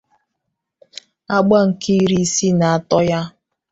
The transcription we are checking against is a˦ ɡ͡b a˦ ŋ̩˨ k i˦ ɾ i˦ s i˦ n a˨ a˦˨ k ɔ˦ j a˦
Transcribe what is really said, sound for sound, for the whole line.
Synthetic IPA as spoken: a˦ ɡ͡b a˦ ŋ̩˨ k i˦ ɾ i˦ s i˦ n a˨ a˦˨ t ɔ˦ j a˦